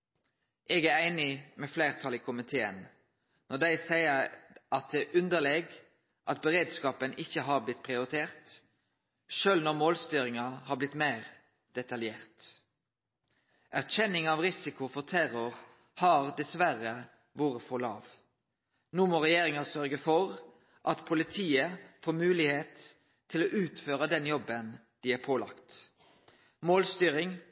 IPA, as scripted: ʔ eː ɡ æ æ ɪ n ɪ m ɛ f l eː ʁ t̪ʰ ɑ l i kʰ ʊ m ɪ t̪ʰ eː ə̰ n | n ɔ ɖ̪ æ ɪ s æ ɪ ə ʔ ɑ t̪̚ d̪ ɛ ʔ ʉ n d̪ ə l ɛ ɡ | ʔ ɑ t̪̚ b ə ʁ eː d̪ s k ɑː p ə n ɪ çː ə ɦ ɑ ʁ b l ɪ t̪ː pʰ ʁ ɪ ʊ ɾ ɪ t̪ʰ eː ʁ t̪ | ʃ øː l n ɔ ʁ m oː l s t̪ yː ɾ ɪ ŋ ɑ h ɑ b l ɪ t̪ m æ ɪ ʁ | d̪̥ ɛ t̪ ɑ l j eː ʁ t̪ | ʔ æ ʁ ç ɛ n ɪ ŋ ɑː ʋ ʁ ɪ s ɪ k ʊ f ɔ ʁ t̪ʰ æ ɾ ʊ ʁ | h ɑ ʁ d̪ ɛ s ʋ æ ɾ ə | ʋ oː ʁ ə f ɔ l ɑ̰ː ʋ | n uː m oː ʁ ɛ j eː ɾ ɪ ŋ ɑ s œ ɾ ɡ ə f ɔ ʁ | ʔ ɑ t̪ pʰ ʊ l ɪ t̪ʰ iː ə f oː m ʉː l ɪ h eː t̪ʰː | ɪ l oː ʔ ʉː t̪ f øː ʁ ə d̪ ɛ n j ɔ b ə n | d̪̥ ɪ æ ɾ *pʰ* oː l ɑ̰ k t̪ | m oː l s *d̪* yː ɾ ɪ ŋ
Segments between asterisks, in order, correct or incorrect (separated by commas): correct, incorrect